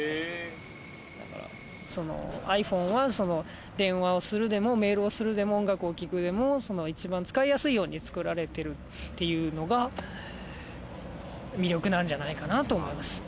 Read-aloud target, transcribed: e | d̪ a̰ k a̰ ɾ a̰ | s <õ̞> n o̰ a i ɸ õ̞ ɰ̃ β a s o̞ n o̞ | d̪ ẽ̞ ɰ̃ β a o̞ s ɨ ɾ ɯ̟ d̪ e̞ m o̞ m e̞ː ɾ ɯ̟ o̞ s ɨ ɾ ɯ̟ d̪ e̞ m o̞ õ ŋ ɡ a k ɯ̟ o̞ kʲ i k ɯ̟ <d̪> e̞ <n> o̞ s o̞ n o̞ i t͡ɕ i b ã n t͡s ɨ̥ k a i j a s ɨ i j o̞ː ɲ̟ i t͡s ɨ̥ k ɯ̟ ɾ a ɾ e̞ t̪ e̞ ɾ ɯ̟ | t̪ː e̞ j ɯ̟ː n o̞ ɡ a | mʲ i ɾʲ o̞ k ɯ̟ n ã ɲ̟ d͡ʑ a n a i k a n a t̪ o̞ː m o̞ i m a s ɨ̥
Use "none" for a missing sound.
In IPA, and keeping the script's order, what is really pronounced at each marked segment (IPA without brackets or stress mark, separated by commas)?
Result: o̞, d̪, m